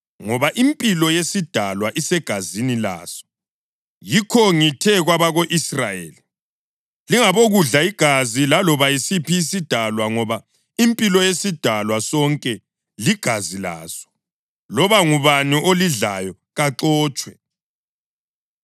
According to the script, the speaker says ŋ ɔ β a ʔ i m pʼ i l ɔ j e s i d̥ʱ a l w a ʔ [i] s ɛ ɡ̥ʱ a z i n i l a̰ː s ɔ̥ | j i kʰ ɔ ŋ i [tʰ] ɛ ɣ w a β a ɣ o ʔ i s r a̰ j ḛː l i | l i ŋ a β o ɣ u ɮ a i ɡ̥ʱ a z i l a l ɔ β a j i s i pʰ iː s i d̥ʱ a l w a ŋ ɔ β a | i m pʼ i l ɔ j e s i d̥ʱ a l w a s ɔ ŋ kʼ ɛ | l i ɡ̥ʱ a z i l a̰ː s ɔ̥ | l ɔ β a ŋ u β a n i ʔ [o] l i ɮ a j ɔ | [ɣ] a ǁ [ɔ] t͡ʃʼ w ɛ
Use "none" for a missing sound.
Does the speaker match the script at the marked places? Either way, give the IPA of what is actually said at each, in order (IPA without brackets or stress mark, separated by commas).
i, tʰ, o, ɣ, ɔː